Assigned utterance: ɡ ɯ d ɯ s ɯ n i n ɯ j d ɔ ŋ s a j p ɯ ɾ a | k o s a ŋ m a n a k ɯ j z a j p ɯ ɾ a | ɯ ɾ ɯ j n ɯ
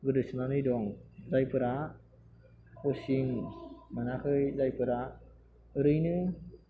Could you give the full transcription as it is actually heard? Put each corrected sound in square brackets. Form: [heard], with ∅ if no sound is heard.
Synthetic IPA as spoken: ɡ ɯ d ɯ s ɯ n [a] n ɯ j d ɔ ŋ [z] a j p ɯ ɾ a | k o s [i] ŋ m a n a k ɯ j z a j p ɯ ɾ a | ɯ ɾ ɯ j n ɯ